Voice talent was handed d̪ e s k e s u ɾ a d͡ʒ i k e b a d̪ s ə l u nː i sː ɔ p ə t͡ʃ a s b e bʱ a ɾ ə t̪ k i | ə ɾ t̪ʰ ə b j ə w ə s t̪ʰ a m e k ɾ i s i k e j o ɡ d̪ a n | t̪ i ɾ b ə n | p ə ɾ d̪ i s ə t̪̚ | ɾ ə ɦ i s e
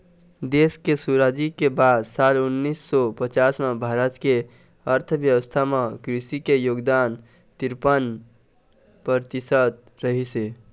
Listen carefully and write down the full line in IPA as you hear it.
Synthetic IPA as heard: d̪ e s k e s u ɾ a d͡ʒ i k e b a d̪ s a l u nː i sː ɔ p ə t͡ʃ a s m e bʱ a ɾ ə t̪ k e | ə ɾ t̪ʰ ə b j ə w ə s t̪ʰ a m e k ɾ i s i k e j o ɡ d̪ a n | t̪ i ɾ p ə n | p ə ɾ t̪ i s ə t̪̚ | ɾ ə ɦ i s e

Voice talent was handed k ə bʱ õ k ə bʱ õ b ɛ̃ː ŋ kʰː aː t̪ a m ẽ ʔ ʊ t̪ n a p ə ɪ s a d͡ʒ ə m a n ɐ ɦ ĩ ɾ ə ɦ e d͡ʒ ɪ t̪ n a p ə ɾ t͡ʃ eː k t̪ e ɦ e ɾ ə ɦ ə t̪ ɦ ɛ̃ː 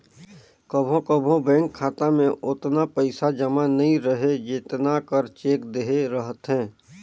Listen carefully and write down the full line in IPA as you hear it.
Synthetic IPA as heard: k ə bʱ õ k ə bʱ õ b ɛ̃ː ŋ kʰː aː t̪ a m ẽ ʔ ʊ t̪ n a p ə ɪ s a d͡ʒ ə m a n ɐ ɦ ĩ ɾ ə ɦ e d͡ʒ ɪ t̪ n a k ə ɾ t͡ʃ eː k d̪ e ɦ e ɾ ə ɦ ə t̪ ɦ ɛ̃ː

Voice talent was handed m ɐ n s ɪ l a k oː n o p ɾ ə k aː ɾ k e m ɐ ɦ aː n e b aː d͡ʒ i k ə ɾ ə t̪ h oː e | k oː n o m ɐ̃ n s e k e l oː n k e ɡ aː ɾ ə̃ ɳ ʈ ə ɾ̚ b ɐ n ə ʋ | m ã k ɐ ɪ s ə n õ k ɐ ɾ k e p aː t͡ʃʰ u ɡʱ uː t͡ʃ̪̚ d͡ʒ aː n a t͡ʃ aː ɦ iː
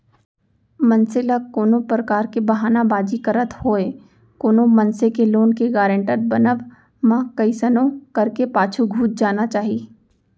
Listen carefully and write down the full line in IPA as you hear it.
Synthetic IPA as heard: m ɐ n s ɪ l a k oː n o p ɾ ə k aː ɾ k e b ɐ ɦ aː n a b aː d͡ʒ i k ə ɾ ə t̪ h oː e | k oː n o m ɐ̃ n s e k e l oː n k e ɡ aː ɾ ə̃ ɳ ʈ ə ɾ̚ b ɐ n ə ʋ | m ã k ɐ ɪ s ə n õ k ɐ ɾ k e p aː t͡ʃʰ u ɡʱ uː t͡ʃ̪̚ d͡ʒ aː n a t͡ʃ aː ɦ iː

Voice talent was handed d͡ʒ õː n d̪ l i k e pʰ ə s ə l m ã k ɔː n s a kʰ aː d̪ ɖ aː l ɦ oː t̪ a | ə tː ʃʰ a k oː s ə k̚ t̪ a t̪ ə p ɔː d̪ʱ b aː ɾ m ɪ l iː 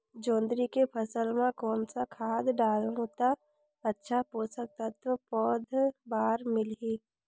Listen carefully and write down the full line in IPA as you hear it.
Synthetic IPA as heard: d͡ʒ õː n d̪ ɾ i k e pʰ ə s ə l m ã k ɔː n s a kʰ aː d̪ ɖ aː l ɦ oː t̪ a | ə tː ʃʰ a p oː s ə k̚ t̪ a t̪ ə p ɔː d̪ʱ b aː ɾ m ɪ l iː

